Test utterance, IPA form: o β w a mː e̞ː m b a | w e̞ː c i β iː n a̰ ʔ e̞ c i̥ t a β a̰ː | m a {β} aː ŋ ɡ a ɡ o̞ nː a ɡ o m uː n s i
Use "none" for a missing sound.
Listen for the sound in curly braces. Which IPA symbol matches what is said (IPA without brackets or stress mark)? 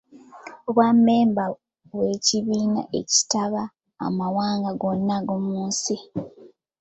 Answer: w